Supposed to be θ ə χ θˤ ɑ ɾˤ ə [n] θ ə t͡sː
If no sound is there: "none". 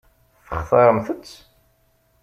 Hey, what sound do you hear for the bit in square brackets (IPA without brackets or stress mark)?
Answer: m